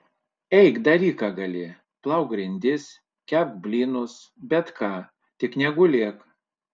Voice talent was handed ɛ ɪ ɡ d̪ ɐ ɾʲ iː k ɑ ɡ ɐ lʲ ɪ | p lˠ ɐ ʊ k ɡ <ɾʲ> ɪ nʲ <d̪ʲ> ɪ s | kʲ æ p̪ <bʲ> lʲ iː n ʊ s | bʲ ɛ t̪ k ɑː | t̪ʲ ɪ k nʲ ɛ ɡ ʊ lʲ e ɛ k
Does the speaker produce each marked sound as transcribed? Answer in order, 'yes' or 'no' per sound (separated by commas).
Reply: yes, yes, yes